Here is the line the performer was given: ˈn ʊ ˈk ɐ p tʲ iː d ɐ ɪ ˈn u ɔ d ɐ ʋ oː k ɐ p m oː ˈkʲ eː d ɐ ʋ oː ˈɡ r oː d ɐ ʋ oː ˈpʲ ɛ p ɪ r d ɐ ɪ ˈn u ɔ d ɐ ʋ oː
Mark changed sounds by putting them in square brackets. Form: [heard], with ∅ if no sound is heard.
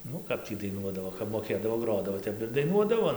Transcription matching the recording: ˈn ʊ ˈk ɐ p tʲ iː d ɐ ɪ ˈn u ɔ d ɐ ʋ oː k ɐ p m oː ˈkʲ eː d ɐ ʋ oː ˈɡ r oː d ɐ ʋ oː [ˈtʲ] ɛ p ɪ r d ɐ ɪ ˈn u ɔ d ɐ ʋ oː